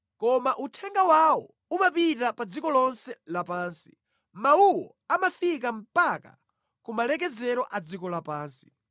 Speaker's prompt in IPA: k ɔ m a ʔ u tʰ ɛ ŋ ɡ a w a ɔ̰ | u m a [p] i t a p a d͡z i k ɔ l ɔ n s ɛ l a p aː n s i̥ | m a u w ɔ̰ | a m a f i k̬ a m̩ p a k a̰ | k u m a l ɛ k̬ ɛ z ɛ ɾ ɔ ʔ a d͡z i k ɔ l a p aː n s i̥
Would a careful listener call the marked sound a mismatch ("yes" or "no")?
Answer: no